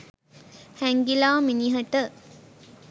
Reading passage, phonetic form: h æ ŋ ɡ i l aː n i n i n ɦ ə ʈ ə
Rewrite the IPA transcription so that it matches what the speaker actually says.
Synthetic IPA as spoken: h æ ŋ ɡ i l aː m i n i ɦ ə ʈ ə

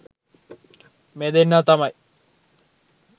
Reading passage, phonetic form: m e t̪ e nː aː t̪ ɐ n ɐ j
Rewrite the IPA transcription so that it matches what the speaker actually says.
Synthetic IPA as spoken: m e d̪ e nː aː t̪ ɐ m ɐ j

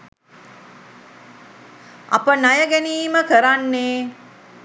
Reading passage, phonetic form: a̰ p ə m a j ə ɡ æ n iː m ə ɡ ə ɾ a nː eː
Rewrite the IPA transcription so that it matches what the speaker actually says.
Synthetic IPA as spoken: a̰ p ə n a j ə ɡ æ n iː m ə k ə ɾ a nː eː

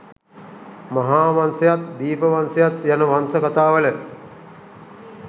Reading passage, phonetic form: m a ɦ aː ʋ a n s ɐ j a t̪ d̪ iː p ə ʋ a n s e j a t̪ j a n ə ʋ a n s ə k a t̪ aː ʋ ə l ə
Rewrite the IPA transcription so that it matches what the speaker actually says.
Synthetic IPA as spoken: m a ɦ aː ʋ a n s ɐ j a t̪ d̪ iː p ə ʋ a n s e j a t̪ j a n ə ʋ a n s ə k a t̪ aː ʋ ə l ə

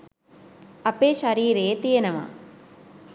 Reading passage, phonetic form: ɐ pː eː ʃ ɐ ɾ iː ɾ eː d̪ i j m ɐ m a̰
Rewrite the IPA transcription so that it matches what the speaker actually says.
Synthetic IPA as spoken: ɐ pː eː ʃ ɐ ɾ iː ɾ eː t̪ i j n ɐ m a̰

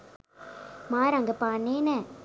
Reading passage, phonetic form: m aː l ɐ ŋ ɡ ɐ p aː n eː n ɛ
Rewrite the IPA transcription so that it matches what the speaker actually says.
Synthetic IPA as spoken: m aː ɾ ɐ ŋ ɡ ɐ p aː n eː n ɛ

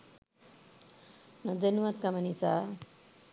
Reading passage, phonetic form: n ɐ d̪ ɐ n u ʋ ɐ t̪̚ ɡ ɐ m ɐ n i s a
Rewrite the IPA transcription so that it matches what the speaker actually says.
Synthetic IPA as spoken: n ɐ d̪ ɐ n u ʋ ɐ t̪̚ k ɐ m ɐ n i s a

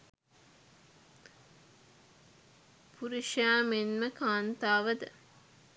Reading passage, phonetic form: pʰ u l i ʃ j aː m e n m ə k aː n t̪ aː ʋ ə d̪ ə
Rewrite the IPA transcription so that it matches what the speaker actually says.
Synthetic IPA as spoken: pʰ u ɾ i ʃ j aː m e n m ə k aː n t̪ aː ʋ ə d̪ ə

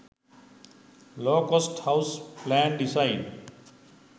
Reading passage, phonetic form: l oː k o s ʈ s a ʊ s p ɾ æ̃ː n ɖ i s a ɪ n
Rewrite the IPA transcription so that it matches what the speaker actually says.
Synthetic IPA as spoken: l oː k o s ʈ h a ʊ s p l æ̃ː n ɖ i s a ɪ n

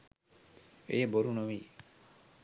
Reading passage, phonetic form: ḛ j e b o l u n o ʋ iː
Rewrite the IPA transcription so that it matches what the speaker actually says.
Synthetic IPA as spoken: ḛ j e b o ɾ u n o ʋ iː

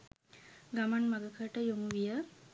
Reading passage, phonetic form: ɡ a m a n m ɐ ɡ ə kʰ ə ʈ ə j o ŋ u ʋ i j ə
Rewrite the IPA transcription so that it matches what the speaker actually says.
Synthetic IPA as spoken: ɡ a m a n m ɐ ɡ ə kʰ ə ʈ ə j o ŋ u ʋ i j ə

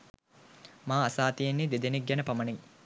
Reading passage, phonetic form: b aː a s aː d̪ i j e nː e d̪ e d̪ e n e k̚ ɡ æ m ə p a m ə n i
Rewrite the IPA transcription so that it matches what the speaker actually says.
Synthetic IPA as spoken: m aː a s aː t̪ i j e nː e d̪ e d̪ e n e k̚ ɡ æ n ə p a m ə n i

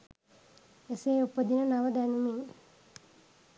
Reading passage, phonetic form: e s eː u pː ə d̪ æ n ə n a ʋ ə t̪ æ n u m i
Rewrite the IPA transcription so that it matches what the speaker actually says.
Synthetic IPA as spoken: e s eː u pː ə d̪ i n ə n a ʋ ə d̪ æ n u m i

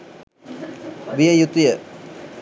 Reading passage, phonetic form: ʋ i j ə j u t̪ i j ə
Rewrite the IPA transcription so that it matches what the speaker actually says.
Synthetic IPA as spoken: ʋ i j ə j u t̪ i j ə

